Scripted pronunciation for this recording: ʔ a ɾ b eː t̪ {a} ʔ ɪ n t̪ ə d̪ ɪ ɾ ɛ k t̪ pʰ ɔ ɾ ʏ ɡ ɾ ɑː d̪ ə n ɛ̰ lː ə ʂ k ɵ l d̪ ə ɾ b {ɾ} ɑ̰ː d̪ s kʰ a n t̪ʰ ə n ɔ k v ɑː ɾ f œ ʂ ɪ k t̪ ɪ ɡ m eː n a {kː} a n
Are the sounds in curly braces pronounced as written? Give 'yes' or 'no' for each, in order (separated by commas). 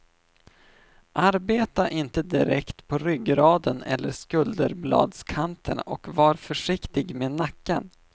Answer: yes, no, yes